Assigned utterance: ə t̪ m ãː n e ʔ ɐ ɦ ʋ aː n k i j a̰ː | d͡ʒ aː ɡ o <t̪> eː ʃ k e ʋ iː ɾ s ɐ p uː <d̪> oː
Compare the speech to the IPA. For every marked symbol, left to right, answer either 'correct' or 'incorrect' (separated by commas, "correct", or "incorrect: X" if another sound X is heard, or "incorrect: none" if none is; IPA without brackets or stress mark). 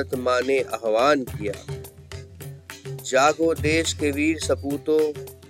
incorrect: d̪, incorrect: t̪